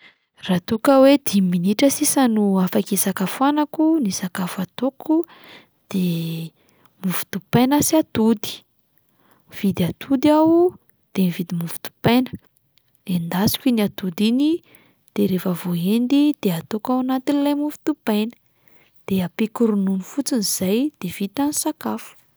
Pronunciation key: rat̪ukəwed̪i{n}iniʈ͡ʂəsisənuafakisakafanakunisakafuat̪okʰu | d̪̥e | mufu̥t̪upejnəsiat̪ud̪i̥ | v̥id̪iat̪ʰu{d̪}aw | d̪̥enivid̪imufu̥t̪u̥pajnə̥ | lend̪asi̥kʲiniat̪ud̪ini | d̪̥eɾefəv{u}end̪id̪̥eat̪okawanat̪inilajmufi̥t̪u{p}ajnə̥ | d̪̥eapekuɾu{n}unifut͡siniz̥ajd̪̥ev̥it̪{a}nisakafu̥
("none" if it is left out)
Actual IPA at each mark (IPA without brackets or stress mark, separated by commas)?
m, d̪, o, p, n, a